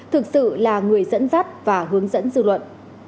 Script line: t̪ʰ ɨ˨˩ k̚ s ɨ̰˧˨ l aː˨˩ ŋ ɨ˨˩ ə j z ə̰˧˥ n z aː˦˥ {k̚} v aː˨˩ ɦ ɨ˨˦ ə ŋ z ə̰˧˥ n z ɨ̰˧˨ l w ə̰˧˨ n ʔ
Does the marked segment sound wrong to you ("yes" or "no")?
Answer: yes